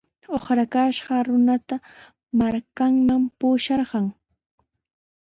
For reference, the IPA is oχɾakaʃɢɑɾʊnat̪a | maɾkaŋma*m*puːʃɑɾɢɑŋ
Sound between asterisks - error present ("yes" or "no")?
no